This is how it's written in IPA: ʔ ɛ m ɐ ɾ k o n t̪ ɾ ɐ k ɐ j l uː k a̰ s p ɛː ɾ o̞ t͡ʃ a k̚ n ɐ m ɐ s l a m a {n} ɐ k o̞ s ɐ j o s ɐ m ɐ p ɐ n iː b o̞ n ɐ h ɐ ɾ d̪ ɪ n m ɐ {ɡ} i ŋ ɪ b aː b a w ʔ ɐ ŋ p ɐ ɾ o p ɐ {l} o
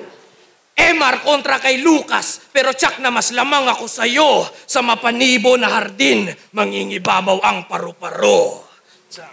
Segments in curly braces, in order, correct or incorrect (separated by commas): incorrect, incorrect, incorrect